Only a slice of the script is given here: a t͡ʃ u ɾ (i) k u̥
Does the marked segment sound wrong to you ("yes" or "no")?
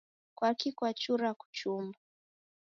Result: yes